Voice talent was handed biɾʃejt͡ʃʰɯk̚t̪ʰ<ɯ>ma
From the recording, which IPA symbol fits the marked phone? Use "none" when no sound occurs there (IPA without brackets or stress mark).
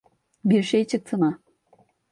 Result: ɯ